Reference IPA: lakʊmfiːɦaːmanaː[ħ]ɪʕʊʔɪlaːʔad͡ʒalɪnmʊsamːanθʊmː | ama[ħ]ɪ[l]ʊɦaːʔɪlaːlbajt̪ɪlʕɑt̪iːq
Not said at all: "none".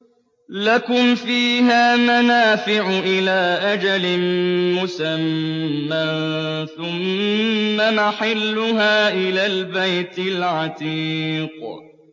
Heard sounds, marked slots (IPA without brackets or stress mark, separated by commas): f, ħ, lː